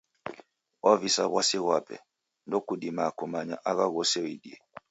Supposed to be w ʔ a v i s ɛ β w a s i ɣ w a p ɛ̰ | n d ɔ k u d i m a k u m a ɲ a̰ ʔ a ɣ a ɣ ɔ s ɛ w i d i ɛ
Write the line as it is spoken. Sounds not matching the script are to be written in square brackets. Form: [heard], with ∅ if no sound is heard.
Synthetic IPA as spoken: w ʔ a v i s [a] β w a s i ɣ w a p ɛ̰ | n d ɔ k u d i m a k u m a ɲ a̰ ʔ a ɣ a ɣ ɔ s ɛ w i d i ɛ